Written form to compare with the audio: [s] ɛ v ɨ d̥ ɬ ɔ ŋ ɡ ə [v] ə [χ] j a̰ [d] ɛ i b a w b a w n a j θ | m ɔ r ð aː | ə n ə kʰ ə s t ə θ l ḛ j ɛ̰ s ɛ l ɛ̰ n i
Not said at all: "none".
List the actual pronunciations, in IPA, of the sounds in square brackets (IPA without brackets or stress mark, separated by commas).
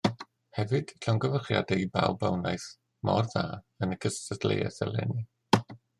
h, v, χ, d